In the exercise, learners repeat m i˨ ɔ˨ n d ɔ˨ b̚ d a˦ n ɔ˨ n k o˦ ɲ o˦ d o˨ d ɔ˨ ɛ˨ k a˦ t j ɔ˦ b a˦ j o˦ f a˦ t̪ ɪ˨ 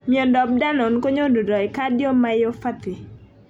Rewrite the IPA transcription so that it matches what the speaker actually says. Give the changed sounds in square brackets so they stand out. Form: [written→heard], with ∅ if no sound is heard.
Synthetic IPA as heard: m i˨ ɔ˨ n d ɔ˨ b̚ d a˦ n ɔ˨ n k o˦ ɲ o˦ d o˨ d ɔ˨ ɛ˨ k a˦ [t→d] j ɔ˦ [b→m] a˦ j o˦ f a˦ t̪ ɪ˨